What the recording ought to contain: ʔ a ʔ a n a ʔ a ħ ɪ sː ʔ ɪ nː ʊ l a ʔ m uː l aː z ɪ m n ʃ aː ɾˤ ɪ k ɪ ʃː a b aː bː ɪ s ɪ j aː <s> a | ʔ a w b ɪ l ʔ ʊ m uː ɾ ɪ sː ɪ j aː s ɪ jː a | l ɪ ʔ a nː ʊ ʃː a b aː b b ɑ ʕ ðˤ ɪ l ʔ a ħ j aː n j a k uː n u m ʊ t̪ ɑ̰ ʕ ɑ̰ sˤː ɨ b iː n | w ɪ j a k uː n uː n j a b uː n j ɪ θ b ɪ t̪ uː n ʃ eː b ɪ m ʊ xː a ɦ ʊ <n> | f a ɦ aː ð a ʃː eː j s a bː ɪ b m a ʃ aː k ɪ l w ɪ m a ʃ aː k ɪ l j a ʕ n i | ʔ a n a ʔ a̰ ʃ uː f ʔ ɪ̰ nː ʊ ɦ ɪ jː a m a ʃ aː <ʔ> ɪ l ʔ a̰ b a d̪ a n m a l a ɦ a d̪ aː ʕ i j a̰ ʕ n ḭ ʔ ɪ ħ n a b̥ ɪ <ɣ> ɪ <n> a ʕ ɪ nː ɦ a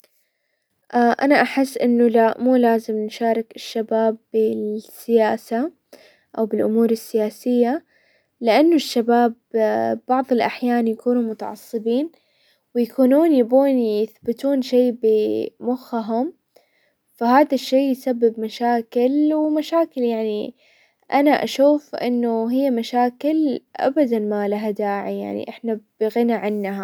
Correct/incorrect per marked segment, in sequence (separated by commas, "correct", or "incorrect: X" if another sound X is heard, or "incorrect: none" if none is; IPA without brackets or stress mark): correct, incorrect: m, incorrect: k, correct, correct